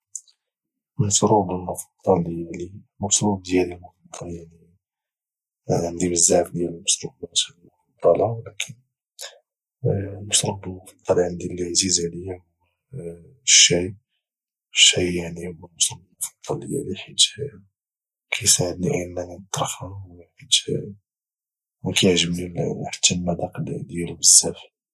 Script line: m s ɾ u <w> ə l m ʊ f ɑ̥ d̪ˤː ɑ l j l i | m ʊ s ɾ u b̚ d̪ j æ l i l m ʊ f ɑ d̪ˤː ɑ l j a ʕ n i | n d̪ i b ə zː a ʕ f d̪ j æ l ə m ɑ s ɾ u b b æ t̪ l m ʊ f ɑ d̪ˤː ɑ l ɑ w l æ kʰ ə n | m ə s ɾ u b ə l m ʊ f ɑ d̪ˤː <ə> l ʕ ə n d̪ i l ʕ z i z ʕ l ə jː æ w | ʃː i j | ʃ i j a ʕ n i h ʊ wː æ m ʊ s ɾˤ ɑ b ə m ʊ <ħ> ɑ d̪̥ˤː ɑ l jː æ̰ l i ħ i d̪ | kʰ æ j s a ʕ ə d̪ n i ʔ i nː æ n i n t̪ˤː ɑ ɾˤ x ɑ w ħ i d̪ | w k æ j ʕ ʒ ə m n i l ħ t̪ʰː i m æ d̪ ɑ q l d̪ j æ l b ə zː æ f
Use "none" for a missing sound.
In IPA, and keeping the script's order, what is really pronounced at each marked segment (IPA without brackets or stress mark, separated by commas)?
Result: b, ɑ, f